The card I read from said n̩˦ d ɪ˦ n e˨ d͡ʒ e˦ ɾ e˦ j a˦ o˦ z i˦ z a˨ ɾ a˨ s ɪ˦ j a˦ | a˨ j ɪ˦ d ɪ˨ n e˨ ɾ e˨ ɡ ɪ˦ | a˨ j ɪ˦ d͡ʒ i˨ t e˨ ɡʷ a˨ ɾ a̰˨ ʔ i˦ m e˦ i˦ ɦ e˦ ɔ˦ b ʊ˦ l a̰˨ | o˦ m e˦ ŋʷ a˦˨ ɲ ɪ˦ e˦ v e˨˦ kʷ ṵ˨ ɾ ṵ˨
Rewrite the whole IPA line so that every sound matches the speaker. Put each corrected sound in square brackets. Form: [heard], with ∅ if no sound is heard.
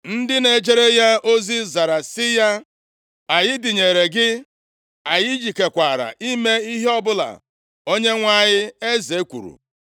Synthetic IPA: n̩˦ d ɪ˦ n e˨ d͡ʒ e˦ ɾ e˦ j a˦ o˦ z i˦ z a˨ ɾ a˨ s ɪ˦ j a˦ | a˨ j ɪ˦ d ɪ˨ [ɲ] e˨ ɾ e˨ ɡ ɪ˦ | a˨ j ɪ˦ d͡ʒ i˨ [k] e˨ [kʷ] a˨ ɾ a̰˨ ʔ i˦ m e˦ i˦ ɦ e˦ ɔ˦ b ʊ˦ l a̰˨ | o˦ [ɲ] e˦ ŋʷ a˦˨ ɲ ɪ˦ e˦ [z] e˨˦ kʷ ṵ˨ ɾ ṵ˨